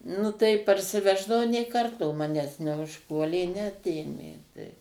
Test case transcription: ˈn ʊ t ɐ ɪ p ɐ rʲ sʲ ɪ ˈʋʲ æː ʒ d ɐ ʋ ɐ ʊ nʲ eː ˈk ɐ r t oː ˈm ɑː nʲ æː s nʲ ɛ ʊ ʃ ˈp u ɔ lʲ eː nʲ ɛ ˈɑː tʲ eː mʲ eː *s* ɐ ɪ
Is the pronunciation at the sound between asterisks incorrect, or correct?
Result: incorrect